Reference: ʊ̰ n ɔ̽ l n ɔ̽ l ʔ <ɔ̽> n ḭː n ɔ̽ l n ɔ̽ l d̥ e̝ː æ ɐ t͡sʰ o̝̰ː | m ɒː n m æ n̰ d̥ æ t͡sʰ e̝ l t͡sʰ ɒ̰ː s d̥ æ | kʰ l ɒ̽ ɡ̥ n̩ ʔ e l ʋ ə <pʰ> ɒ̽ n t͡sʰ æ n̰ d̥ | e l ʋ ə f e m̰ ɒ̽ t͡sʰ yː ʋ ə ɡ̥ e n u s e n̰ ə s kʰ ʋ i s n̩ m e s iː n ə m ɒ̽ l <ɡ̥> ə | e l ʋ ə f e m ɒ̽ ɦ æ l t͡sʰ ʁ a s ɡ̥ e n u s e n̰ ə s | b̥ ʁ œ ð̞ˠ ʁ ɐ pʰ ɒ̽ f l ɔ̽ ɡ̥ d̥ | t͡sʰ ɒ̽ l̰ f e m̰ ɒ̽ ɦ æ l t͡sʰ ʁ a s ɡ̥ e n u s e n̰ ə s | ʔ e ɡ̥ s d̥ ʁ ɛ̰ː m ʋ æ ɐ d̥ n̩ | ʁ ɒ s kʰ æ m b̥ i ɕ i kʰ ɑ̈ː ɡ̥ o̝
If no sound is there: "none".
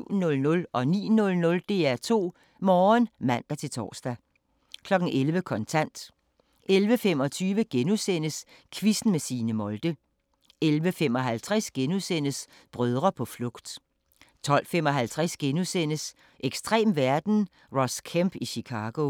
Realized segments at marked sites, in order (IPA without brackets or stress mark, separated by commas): ɒ̽, kʰ, d̥